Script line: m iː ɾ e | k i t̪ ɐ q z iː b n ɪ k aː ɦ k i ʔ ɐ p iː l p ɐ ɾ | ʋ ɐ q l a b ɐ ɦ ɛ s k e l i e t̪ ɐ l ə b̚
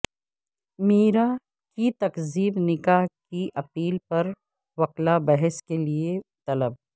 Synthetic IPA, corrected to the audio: m iː ɾ a | k i t̪ ɐ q z iː b n ɪ k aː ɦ k i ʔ ɐ p iː l p ɐ ɾ | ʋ ɐ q l a b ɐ ɦ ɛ s k e l i e t̪ ɐ l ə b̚